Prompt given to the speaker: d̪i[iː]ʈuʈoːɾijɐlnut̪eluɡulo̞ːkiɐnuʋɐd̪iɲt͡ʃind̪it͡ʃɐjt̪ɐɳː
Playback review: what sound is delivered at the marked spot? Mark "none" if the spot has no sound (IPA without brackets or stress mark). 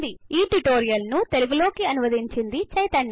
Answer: iː